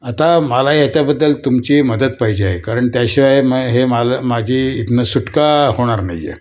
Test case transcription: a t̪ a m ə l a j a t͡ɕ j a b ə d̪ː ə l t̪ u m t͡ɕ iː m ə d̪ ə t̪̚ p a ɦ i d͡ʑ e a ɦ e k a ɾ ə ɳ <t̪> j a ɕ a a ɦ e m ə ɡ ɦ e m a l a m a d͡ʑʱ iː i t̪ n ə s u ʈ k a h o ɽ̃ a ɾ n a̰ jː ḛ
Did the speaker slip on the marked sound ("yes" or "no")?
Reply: no